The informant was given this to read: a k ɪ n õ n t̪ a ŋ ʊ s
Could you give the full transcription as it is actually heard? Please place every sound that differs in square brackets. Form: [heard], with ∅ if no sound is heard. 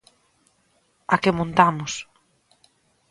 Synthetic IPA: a k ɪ [m] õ n t̪ a [m] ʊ s